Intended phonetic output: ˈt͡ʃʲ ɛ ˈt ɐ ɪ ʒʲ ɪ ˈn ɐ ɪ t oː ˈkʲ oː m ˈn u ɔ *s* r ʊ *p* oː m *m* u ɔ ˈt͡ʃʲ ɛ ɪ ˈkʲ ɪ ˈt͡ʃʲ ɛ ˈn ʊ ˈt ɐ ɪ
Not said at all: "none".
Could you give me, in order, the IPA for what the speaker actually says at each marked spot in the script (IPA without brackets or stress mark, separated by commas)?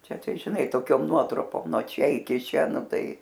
t, p, n